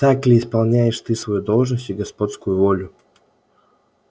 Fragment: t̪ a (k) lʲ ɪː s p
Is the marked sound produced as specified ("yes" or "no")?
yes